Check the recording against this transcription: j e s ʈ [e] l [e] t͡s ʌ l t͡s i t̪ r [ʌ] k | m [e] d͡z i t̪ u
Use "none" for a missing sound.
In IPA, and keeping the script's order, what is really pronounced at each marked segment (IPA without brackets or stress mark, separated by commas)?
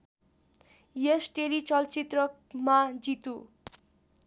e, i, ʌ, a